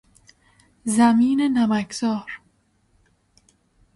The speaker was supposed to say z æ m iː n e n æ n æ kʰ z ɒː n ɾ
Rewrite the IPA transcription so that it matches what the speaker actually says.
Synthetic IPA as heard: z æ m iː n e n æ m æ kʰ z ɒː ɾ